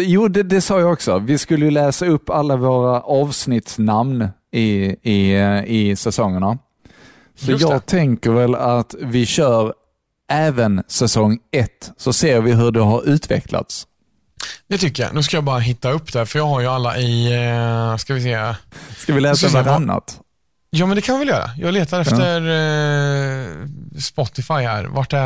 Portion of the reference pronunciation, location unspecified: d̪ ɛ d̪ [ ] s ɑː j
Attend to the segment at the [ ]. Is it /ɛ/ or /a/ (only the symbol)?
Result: ɛ